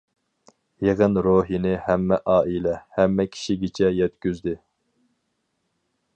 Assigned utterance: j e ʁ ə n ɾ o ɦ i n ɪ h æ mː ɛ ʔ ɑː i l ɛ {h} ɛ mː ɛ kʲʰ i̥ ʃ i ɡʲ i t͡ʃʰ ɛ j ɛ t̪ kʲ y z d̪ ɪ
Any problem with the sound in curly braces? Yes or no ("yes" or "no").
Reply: no